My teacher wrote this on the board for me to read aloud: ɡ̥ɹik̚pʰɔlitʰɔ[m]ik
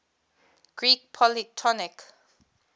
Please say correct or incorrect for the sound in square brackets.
incorrect